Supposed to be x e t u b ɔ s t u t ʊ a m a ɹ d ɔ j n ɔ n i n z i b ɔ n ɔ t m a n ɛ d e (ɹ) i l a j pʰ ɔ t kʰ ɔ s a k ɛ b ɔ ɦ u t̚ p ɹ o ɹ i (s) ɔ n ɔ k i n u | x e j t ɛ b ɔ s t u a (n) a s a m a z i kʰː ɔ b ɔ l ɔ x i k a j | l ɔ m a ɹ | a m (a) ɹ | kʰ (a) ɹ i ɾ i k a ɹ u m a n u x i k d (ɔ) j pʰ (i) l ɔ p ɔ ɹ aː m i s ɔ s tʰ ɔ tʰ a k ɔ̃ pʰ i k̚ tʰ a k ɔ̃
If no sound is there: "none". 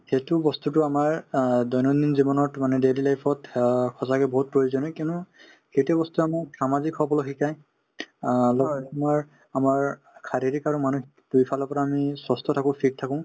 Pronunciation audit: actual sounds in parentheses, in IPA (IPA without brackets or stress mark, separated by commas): l, z, m, a, a, u, a